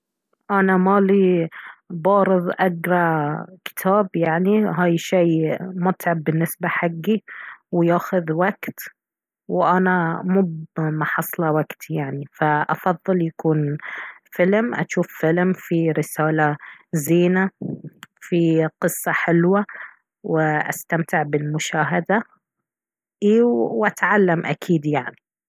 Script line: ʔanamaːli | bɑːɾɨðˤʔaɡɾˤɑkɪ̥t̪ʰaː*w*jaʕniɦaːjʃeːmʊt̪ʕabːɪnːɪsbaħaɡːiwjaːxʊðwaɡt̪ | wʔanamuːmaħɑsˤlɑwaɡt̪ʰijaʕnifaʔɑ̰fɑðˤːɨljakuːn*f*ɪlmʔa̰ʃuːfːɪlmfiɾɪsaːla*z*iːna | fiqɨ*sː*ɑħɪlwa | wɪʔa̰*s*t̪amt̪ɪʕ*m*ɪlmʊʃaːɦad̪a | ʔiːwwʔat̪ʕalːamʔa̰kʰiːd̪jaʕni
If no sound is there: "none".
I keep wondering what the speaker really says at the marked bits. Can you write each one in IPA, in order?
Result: b, f, z, sː, s, b

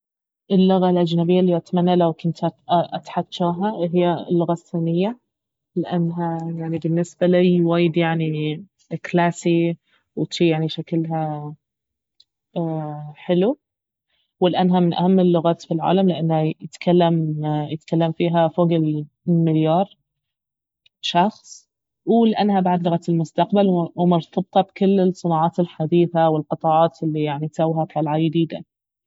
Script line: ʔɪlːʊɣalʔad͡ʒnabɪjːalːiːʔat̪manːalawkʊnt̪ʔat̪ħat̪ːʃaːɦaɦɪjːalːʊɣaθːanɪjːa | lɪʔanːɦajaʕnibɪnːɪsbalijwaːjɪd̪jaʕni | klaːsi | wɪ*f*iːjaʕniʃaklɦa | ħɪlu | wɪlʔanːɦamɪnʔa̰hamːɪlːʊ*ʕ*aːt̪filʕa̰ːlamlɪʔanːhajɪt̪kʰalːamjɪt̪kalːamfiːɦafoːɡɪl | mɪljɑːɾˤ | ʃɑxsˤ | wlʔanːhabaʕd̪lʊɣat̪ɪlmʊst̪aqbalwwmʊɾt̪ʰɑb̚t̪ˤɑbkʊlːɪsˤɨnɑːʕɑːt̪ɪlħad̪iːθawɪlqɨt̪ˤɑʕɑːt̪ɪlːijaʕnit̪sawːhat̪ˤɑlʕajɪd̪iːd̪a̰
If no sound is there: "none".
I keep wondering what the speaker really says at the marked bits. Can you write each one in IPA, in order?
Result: ʃ, ɣ

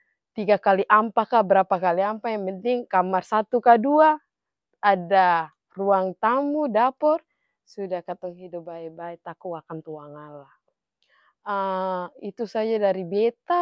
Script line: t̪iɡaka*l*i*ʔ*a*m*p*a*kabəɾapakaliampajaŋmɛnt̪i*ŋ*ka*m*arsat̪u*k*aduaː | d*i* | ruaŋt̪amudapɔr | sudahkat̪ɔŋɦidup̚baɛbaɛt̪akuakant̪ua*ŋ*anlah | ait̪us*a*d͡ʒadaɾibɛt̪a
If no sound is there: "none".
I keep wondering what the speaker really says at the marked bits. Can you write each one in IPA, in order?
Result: l, ʔ, m, a, ŋ, m, k, a, ŋ, a

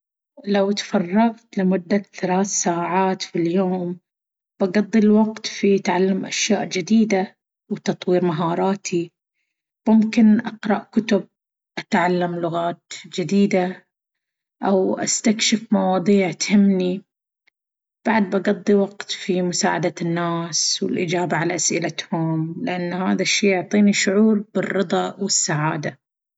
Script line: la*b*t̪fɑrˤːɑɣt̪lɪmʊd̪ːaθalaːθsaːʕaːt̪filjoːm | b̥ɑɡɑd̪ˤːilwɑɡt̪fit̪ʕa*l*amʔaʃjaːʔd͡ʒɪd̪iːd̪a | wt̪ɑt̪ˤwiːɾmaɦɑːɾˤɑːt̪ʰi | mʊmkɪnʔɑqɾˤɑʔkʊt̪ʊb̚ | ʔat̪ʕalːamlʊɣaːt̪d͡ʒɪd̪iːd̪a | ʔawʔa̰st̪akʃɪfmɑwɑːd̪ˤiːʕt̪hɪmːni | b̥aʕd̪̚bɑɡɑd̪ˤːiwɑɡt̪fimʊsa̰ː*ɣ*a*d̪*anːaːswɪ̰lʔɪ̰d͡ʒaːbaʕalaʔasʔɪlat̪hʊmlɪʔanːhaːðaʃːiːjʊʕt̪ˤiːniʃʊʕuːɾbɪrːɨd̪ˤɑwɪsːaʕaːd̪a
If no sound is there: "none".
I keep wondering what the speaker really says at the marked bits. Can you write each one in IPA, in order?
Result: w, lː, ʕ, d̪

